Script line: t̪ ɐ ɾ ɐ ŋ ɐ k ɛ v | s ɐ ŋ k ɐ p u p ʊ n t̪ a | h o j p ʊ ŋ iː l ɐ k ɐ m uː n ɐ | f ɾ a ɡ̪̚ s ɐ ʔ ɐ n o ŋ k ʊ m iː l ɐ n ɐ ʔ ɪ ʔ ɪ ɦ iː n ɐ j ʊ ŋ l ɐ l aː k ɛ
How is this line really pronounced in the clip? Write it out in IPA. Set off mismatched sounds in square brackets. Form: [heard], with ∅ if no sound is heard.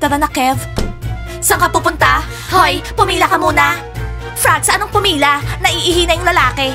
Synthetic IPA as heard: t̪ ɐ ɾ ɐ [n] ɐ k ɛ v | s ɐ ŋ k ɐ p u p ʊ n t̪ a | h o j p ʊ [m] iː l ɐ k ɐ m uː n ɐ | f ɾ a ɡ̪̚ s ɐ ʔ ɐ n o ŋ [p] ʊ m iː l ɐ n ɐ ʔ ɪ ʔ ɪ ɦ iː n ɐ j ʊ ŋ l ɐ l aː k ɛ